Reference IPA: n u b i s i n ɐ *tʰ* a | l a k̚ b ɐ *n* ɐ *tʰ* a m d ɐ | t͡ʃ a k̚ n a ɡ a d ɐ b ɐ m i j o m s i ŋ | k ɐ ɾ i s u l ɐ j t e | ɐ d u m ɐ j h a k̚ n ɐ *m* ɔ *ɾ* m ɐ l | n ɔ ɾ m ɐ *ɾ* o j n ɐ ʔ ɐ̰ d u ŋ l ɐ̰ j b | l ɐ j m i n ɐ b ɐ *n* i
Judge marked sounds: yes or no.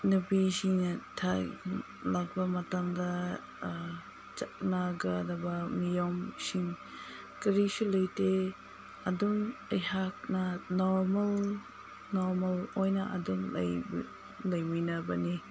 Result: yes, no, no, no, yes, no, yes

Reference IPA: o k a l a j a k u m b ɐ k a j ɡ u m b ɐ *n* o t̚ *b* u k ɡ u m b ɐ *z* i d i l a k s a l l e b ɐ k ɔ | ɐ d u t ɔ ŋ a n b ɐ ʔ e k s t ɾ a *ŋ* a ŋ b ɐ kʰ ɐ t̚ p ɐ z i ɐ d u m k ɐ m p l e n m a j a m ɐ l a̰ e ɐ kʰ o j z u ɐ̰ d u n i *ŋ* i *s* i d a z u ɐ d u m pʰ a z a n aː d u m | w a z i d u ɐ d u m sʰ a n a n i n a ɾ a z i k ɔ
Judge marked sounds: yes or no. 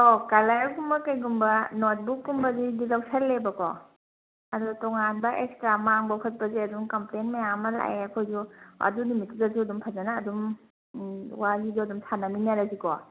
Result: yes, yes, yes, no, no, no

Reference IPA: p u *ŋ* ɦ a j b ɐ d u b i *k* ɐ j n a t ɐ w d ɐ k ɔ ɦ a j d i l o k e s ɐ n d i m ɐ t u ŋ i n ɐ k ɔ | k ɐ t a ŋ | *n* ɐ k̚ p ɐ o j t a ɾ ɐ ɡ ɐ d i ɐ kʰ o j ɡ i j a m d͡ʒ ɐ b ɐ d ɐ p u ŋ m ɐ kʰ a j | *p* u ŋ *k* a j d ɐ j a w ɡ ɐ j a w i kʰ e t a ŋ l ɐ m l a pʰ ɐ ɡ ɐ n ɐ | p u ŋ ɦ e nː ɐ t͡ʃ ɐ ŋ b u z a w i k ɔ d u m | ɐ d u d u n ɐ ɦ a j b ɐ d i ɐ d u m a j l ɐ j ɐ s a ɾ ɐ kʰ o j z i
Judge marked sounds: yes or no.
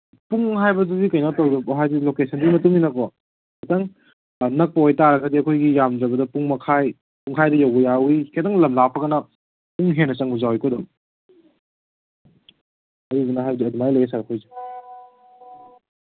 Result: yes, yes, yes, yes, no

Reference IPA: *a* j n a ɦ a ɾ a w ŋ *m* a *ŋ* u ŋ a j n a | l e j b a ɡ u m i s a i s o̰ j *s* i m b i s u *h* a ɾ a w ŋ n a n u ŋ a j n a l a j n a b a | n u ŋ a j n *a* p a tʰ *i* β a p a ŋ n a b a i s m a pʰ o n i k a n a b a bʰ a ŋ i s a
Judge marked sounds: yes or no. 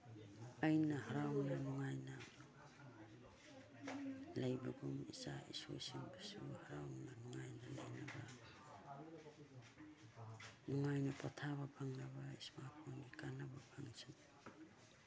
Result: yes, no, no, yes, yes, yes, no

